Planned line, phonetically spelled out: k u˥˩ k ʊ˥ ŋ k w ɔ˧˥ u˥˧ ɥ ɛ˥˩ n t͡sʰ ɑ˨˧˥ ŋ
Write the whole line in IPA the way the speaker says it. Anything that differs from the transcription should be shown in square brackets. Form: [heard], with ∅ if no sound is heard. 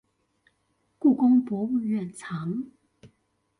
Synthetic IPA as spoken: k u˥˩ k ʊ˥ ŋ [p] w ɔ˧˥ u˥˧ ɥ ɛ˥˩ n t͡sʰ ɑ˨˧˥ ŋ